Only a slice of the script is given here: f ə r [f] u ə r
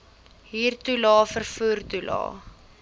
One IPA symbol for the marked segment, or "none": f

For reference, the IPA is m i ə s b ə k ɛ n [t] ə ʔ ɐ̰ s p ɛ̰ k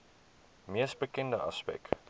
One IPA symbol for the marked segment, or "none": d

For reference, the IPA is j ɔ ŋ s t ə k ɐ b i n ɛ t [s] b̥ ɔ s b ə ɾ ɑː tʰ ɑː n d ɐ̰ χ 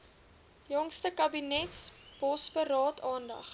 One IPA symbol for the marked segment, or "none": s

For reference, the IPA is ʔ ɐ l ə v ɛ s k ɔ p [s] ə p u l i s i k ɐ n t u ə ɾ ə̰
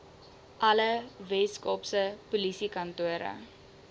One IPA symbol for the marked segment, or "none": s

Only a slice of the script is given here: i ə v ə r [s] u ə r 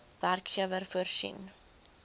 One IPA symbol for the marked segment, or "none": f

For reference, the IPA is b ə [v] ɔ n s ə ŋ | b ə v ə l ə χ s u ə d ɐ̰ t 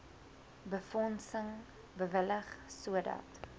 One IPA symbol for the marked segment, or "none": f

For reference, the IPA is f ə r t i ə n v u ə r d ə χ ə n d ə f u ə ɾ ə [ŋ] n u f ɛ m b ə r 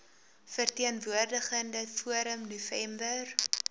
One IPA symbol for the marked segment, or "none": m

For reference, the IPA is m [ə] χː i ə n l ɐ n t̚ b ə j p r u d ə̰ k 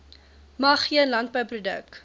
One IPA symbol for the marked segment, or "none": ɐ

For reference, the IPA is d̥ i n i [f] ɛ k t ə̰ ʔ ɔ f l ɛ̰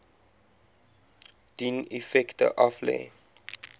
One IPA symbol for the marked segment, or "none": f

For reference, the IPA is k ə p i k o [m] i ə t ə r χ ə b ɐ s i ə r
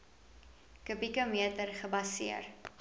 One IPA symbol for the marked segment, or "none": m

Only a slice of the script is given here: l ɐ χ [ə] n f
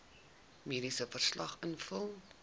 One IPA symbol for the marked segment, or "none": ə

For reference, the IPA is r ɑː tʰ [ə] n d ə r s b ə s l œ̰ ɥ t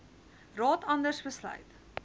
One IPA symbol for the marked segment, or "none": ɐ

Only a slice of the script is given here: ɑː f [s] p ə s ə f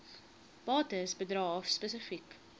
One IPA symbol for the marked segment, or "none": s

